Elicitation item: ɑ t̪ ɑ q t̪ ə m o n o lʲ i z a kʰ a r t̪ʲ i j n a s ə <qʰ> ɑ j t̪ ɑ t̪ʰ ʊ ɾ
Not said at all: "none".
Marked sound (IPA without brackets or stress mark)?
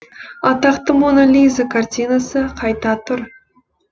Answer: qʰ